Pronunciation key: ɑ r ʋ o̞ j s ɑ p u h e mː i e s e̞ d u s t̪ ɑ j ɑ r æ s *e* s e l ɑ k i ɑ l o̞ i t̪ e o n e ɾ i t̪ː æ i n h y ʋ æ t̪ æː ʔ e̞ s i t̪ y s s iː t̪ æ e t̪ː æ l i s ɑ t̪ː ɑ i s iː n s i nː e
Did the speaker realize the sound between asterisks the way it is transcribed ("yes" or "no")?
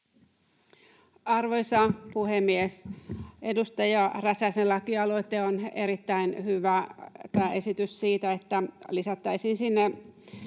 no